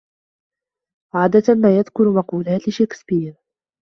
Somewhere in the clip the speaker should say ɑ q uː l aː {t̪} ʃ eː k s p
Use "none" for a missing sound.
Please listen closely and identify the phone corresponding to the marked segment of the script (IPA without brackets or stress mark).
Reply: t̪